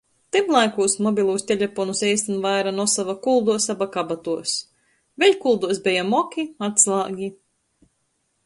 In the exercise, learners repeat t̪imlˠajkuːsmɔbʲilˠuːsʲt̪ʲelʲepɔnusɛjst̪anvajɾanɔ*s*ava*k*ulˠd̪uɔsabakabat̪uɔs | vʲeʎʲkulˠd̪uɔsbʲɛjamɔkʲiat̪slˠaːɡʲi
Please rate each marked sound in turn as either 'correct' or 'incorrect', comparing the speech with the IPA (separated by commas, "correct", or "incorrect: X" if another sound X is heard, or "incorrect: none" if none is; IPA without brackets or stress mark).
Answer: correct, correct